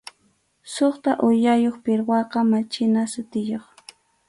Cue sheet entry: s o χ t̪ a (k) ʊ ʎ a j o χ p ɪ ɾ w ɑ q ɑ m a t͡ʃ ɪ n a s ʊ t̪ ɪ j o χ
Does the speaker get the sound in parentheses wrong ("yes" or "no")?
yes